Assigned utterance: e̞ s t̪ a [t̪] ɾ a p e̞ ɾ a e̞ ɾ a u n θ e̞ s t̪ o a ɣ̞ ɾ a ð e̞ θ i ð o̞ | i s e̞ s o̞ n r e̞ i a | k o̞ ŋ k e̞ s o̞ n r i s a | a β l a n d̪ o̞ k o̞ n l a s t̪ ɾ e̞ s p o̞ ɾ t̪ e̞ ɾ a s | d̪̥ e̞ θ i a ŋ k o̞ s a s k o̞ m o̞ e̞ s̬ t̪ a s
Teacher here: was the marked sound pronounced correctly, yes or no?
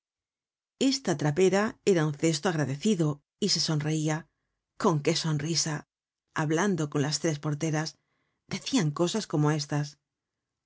yes